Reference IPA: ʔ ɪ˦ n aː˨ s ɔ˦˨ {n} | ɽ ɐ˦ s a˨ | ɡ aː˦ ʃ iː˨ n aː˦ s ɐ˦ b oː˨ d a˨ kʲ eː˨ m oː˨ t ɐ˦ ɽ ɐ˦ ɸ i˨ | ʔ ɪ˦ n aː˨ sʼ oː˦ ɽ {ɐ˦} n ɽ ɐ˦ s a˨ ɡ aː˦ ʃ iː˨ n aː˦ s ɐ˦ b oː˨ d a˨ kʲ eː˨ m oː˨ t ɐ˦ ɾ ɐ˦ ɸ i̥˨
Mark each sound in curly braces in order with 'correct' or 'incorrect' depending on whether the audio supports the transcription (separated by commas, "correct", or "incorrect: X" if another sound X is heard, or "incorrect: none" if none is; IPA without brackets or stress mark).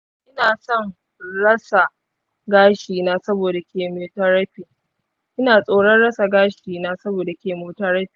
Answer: incorrect: ŋ, correct